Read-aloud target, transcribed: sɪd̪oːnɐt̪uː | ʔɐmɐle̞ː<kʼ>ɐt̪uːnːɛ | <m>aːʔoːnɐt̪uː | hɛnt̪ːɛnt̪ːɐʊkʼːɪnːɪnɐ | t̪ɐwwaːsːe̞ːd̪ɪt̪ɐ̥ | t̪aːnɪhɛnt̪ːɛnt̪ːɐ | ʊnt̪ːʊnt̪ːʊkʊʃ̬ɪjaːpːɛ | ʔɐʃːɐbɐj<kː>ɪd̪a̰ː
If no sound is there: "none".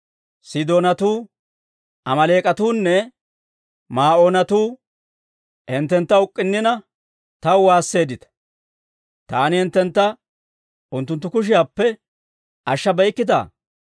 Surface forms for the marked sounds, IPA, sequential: kʼ, m, kː

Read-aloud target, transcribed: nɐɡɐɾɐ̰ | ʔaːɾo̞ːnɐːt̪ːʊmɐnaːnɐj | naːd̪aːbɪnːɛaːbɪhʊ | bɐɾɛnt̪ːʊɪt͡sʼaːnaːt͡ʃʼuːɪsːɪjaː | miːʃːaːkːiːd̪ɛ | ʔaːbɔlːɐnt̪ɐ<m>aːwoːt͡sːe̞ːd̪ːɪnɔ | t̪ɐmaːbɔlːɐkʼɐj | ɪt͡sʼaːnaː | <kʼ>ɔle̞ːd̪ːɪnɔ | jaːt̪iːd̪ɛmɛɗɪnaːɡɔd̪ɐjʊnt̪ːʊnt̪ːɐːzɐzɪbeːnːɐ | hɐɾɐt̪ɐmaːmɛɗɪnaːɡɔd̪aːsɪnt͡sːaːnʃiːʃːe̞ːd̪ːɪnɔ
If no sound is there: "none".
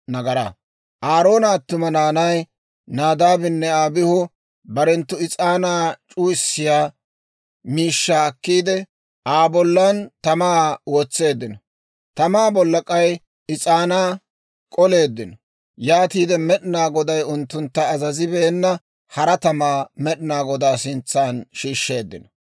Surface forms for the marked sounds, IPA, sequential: m, kʼ

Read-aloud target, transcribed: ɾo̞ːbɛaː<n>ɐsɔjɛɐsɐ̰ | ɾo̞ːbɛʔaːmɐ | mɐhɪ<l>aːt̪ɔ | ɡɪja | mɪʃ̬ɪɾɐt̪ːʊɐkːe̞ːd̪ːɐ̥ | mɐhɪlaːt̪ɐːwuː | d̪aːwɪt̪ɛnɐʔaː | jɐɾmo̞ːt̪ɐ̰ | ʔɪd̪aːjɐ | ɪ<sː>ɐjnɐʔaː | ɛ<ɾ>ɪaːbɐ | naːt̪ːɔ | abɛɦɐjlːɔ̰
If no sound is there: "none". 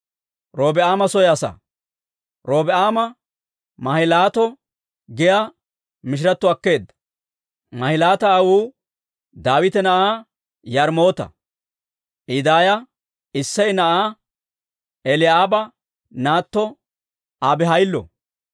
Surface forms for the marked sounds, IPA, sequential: m, l, sː, l

